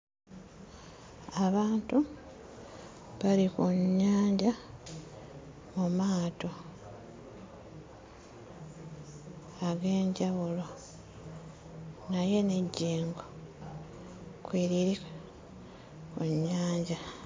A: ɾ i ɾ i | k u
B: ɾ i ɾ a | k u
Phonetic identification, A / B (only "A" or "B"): A